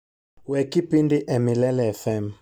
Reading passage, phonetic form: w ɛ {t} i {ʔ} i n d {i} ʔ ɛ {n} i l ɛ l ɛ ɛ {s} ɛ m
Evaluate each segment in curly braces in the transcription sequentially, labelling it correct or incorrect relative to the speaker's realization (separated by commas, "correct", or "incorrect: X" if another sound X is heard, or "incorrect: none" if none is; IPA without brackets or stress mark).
incorrect: k, incorrect: p, correct, incorrect: m, incorrect: f